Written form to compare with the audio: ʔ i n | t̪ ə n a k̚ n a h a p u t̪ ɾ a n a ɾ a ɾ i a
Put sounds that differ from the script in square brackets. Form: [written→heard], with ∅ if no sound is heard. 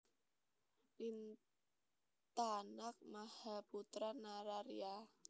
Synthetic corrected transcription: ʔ i n | t̪ [ə→a] n a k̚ [n→m] a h a p u t̪ ɾ a n a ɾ a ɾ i a